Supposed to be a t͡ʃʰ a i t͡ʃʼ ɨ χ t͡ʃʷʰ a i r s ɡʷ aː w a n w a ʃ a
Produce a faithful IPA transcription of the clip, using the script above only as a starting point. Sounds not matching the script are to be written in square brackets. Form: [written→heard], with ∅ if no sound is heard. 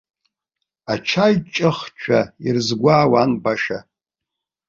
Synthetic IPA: a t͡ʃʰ a [i→j] t͡ʃʼ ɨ χ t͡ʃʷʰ a i r [s→z] ɡʷ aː w a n [w→b] a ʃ a